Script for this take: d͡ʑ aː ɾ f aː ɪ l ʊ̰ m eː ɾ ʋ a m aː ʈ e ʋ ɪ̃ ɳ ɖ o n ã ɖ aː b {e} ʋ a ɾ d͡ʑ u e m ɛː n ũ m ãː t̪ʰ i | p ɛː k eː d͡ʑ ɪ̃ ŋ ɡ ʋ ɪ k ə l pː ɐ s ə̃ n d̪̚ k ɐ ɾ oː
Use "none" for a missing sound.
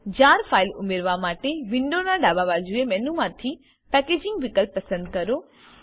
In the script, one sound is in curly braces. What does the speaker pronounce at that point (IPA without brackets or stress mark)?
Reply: a